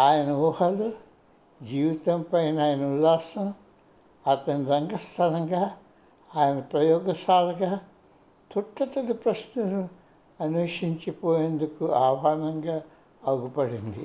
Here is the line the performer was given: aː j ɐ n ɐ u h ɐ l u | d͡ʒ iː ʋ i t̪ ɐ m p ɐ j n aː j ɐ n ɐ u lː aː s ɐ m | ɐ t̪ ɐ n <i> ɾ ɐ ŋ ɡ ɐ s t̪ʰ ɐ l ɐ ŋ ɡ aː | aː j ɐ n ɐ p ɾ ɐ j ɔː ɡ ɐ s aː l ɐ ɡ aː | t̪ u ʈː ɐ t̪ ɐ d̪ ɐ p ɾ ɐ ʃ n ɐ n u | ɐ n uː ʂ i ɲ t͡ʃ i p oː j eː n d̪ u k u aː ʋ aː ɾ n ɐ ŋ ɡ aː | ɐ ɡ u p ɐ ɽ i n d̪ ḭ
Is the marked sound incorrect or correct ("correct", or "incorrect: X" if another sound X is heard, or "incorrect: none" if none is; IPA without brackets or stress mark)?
correct